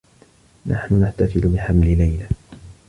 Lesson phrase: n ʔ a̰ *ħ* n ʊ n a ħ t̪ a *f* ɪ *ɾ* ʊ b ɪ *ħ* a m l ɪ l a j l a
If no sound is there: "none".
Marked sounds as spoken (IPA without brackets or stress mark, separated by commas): ħ, f, l, ħ